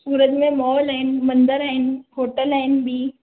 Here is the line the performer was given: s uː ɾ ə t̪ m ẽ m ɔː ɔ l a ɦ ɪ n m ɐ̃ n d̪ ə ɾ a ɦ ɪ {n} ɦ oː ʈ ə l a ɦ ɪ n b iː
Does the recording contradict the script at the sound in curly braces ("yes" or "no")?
no